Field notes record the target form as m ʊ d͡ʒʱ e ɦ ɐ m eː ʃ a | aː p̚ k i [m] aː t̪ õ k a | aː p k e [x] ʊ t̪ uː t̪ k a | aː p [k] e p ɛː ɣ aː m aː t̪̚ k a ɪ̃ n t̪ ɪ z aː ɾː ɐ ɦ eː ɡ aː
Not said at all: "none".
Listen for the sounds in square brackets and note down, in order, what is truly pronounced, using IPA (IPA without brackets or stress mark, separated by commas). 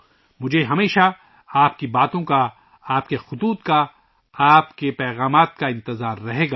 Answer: b, x, k